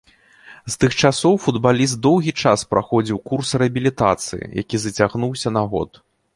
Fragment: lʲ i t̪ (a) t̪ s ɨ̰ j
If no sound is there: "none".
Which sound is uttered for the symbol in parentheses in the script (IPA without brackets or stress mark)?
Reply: a